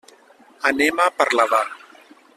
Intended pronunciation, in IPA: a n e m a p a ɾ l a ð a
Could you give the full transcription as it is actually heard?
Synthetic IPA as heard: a n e m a p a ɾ l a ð a